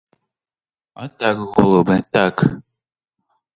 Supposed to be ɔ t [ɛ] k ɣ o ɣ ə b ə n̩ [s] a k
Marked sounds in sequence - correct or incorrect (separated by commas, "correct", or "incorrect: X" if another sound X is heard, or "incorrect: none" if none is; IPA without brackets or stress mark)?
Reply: incorrect: a, incorrect: t